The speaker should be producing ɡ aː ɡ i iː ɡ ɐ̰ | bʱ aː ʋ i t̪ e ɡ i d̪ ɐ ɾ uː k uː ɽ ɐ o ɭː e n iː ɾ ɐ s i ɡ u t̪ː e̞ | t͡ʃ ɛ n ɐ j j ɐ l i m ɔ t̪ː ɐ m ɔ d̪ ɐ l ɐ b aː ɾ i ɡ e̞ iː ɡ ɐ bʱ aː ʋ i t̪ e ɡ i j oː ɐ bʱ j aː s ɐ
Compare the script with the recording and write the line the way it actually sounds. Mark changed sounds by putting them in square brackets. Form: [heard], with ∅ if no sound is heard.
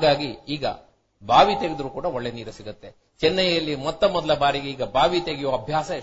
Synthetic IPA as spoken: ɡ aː ɡ i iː ɡ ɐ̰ | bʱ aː ʋ i t̪ e ɡ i d̪ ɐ ɾ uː k uː ɽ ɐ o ɭː e n iː ɾ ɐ s i ɡ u t̪ː e̞ | t͡ʃ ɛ [nː] ɐ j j ɐ [lː] i m ɔ t̪ː ɐ m ɔ d̪ ɐ l ɐ b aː ɾ i ɡ e̞ iː ɡ ɐ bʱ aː ʋ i t̪ e ɡ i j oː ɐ bʱ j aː s ɐ